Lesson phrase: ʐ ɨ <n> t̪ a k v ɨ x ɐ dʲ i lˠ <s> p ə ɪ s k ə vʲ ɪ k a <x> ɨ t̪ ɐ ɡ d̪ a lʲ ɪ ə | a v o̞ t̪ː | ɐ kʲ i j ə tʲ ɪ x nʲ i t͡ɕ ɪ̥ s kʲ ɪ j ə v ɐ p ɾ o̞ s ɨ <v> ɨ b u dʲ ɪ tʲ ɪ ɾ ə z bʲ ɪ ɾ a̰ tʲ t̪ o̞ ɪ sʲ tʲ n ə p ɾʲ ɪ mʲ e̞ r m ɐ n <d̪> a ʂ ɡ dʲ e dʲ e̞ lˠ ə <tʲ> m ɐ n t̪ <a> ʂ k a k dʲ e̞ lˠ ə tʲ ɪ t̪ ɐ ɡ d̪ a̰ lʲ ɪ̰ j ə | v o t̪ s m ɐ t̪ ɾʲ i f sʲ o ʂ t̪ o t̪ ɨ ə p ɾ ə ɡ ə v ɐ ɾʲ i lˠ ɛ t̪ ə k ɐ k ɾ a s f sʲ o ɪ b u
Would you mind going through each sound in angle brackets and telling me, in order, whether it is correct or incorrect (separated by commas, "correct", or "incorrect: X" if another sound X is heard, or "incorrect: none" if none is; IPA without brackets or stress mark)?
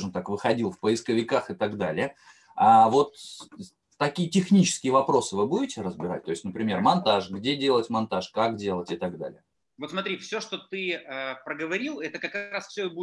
incorrect: m, incorrect: f, correct, correct, incorrect: t̪, correct, correct